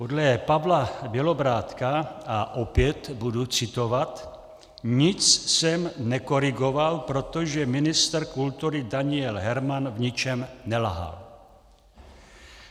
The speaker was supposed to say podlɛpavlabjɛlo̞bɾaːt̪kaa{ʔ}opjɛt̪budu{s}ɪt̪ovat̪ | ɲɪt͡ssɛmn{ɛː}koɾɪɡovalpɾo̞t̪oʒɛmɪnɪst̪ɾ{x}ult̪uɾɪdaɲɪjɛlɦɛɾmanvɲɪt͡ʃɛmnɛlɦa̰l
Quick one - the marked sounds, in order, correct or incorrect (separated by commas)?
correct, incorrect, incorrect, incorrect